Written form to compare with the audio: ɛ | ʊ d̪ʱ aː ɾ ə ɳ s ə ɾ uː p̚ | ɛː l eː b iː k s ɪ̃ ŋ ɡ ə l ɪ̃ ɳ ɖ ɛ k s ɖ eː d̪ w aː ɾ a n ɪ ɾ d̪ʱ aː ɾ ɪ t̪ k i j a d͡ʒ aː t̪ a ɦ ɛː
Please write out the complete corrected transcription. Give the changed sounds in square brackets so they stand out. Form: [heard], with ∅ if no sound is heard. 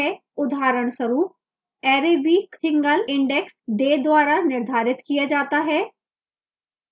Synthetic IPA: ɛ | ʊ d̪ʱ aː ɾ ə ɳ s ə ɾ uː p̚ | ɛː [ɾ] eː b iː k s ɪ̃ ŋ ɡ ə l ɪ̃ ɳ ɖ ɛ k s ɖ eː d̪ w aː ɾ a n ɪ ɾ d̪ʱ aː ɾ ɪ t̪ k i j a d͡ʒ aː t̪ a ɦ ɛː